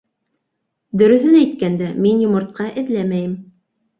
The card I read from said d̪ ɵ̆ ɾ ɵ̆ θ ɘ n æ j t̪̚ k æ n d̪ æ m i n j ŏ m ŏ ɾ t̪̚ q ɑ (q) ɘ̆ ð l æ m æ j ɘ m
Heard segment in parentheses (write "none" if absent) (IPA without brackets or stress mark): ʔ